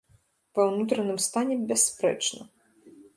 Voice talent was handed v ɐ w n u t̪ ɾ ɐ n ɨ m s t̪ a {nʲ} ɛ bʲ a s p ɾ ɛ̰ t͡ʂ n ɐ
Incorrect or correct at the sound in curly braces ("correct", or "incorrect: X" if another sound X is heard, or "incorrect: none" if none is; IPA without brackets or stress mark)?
correct